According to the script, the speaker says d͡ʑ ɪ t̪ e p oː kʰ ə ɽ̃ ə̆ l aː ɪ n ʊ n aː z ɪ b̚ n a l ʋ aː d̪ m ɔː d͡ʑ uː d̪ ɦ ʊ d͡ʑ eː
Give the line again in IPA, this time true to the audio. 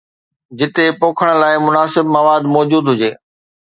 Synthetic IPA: d͡ʑ ɪ t̪ e p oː kʰ ə ɽ̃ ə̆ l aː ɪ m ʊ n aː s ɪ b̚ m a ʋ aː d̪ m ɔː d͡ʑ uː d̪ ɦ ʊ d͡ʑ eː